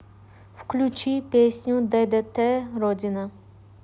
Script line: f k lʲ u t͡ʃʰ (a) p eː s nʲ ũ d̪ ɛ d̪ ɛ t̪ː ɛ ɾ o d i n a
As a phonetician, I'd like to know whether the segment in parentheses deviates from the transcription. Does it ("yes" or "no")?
yes